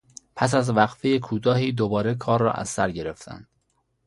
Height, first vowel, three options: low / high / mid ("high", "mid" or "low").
low